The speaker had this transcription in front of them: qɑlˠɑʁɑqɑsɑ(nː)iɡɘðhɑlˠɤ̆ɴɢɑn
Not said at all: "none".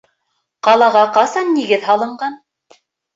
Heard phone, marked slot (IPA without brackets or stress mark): nː